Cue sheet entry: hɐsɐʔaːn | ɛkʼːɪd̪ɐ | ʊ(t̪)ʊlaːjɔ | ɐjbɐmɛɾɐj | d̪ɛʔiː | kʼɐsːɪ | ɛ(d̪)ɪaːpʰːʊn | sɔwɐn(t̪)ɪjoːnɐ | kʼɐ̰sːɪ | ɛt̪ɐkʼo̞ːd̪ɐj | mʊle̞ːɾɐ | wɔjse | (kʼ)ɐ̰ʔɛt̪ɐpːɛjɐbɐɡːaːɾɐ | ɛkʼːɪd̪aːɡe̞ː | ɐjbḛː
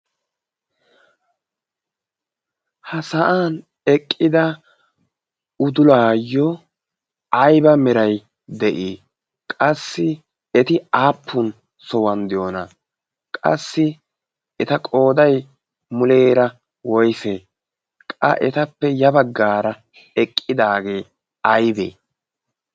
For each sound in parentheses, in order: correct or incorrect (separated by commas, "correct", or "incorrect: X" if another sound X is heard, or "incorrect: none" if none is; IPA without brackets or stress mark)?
incorrect: d̪, incorrect: t̪, incorrect: d̪, correct